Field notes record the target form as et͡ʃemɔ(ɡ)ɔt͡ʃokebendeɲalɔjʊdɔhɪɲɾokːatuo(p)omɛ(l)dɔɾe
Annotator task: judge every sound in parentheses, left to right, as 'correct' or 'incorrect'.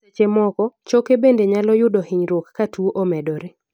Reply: incorrect: k, incorrect: ʔ, incorrect: none

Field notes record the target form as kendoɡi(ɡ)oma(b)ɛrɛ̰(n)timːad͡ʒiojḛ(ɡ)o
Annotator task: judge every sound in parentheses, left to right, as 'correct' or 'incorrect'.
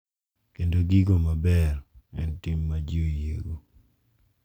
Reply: correct, correct, correct, correct

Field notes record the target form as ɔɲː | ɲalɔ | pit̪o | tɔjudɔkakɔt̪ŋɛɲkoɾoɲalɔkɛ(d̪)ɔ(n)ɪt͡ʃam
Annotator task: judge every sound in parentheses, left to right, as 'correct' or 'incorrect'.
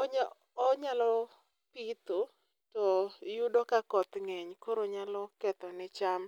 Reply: incorrect: t̪, correct

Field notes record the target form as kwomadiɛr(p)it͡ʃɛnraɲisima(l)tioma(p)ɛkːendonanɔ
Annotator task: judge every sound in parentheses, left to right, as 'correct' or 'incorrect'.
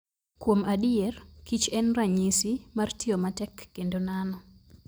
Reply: incorrect: k, incorrect: r, incorrect: t

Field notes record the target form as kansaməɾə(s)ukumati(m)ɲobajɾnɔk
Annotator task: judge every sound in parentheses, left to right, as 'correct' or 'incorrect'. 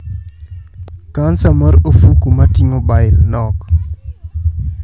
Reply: incorrect: f, incorrect: none

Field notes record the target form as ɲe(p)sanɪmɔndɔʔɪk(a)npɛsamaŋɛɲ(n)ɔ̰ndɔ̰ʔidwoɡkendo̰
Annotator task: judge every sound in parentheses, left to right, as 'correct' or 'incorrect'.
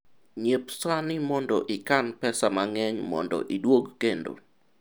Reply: correct, correct, incorrect: m

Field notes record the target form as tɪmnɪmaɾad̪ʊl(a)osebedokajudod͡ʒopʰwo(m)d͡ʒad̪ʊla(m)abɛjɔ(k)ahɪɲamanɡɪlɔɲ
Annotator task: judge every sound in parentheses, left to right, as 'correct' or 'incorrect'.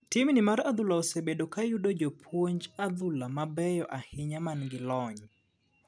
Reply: correct, incorrect: ɲ, correct, incorrect: ʔ

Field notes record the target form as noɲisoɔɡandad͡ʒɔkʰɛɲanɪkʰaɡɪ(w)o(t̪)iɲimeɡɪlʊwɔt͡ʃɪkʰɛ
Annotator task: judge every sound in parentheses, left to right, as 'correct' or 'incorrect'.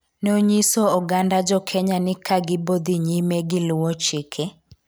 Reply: incorrect: b, incorrect: d̪

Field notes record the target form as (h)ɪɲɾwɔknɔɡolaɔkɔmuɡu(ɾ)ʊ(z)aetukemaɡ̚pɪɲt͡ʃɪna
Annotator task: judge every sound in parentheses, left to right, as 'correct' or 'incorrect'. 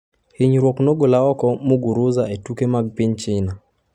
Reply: correct, correct, correct

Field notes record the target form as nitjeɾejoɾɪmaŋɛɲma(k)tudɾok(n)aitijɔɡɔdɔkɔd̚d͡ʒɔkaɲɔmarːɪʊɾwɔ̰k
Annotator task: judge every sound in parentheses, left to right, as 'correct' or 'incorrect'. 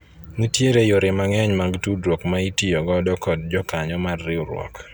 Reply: incorrect: ɡ, incorrect: m

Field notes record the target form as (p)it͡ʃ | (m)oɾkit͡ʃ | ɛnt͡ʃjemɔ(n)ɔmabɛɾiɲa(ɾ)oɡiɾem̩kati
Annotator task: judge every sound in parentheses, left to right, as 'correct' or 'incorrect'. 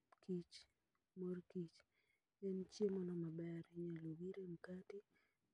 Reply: incorrect: k, correct, correct, incorrect: l

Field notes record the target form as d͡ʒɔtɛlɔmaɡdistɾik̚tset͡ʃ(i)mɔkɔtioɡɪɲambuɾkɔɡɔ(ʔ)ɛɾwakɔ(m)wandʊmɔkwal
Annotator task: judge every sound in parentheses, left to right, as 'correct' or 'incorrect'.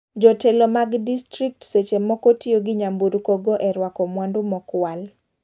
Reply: incorrect: e, correct, correct

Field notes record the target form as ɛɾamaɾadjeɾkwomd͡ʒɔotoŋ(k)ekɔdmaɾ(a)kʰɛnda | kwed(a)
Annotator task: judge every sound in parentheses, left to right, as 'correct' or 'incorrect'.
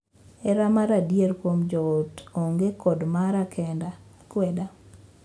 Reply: incorrect: ɡ, correct, correct

